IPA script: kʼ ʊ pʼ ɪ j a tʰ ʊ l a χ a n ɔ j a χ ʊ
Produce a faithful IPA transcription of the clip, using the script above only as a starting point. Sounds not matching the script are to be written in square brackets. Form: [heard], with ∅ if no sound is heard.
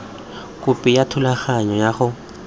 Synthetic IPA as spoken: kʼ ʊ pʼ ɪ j a tʰ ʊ l a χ a [ɲ] ɔ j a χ ʊ